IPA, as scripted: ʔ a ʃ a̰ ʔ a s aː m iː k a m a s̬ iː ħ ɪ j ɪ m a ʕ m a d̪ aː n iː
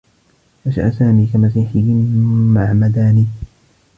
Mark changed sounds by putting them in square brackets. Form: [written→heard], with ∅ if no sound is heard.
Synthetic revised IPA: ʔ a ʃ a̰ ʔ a s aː m iː k a m a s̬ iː ħ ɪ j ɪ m a ʕ m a d̪ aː n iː